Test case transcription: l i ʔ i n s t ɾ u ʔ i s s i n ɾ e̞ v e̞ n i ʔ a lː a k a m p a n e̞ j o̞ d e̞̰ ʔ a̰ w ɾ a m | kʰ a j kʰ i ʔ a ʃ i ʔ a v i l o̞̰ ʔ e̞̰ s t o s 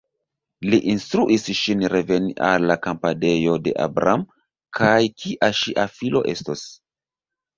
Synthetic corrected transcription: l i ʔ i n s t ɾ u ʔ i s ʃ i n ɾ e̞ v e̞ n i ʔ a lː a k a m p a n e̞ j o̞ d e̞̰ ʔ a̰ b ɾ a m | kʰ a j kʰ i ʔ a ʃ i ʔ a f i l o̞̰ ʔ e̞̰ s t o s

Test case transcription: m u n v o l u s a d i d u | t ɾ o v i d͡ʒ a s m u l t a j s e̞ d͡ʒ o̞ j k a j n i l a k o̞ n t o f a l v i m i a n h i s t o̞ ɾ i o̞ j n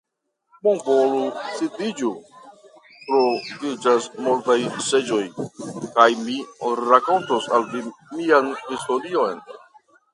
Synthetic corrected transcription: m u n v o l u s i d i d͡ʒ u | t ɾ o v i d͡ʒ a s m u l t a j s e̞ d͡ʒ o̞ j k a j m i ɾ a k o̞ n t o s a l v i m i a n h i s t o̞ ɾ i o̞ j n

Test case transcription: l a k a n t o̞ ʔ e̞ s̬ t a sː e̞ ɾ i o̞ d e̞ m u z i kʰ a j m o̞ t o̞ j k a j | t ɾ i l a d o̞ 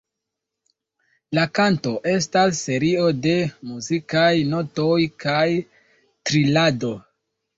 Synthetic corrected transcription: l a k a n t o̞ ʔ e̞ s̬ t a sː e̞ ɾ i o̞ d e̞ m u z i k a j n o̞ t o̞ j k a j | t ɾ i l a d o̞

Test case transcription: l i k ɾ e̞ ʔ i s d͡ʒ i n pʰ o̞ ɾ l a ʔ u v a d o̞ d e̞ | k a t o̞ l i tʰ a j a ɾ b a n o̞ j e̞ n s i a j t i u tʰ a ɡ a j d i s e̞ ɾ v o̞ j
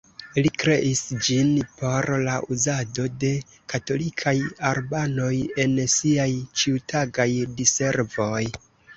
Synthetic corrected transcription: l i k ɾ e̞ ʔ i s d͡ʒ i n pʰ o̞ ɾ l a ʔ u z a d o̞ d e̞ | k a t o̞ l i kʰ a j a ɾ b a n o̞ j e̞ n s i a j t͡ʃ i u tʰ a ɡ a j d i s e̞ ɾ v o̞ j

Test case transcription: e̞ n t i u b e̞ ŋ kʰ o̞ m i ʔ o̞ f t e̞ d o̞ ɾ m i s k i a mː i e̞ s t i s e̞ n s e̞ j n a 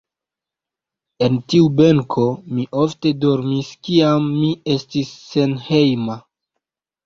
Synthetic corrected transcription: e̞ n t i u b e̞ ŋ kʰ o̞ m i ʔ o̞ f t e̞ d o̞ ɾ m i s k i a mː i e̞ s t i sː e̞ n h e̞ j m a

